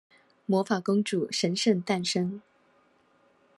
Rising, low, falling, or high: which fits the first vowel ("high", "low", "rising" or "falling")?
rising